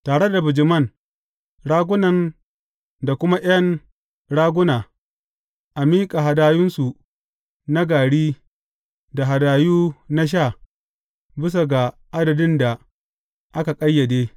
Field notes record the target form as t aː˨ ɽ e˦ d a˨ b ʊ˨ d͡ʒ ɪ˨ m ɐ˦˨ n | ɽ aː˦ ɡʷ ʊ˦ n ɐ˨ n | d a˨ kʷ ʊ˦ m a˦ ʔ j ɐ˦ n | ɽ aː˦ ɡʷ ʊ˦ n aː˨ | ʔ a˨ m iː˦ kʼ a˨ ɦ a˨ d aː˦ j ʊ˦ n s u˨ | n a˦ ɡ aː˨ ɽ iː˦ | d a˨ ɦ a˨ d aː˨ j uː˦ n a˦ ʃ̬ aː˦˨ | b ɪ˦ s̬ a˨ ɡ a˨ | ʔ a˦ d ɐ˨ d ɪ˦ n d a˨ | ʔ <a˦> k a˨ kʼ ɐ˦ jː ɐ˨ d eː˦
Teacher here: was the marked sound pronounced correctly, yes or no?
yes